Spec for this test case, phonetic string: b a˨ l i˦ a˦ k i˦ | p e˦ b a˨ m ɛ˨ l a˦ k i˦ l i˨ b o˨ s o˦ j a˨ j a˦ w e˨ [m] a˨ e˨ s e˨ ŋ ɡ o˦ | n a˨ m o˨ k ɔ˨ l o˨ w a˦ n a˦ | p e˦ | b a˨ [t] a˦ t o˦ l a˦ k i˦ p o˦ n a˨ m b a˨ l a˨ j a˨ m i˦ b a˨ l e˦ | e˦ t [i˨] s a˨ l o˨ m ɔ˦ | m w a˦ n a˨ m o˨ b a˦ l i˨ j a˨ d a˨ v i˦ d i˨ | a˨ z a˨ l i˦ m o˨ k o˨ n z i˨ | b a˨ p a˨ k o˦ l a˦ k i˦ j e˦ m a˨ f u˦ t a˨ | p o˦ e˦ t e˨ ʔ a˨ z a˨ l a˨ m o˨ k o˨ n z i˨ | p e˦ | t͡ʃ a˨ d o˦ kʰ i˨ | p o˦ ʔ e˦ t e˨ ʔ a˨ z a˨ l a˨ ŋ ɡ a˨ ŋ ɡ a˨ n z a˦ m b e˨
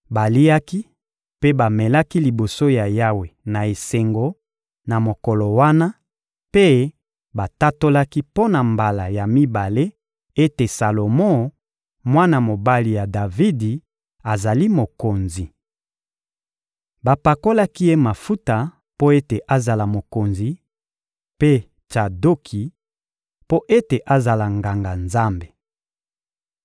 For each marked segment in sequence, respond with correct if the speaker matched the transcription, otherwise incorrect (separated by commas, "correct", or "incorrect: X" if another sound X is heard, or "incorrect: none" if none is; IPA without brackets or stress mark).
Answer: incorrect: n, correct, incorrect: e˨